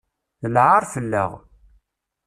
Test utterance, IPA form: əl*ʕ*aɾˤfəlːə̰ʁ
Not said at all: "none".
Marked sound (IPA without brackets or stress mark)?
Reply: ʕ